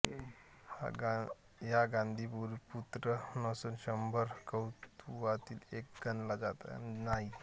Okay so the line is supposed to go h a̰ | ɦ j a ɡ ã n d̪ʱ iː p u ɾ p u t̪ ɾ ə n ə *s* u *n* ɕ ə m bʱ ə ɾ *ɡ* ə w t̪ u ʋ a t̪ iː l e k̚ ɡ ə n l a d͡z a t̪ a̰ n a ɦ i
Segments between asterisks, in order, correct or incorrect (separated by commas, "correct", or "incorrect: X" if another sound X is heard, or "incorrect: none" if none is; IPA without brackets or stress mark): correct, correct, incorrect: k